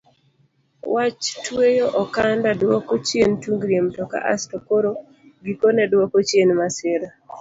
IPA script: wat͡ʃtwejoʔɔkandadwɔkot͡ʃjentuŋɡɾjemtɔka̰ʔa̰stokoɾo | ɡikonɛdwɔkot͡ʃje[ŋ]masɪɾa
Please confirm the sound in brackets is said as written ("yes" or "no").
no